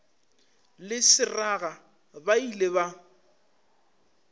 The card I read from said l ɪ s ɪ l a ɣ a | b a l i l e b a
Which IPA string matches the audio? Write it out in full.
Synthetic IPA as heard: l ɪ s ɪ r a ɣ a | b a i l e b a